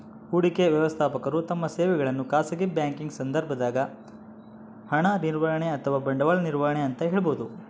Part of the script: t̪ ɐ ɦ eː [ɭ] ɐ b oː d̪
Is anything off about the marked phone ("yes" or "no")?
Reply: no